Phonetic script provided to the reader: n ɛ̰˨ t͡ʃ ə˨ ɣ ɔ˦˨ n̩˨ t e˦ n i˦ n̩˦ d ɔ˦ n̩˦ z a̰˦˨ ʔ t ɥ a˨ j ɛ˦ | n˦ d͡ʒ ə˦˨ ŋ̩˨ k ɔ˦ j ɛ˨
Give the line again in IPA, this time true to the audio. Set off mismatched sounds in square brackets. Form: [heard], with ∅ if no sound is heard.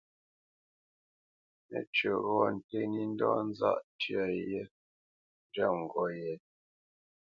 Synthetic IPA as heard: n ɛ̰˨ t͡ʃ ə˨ ɣ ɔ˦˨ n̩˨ t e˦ n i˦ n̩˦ d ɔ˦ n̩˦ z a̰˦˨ ʔ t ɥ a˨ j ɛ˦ | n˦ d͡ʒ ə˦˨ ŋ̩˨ [ɡ] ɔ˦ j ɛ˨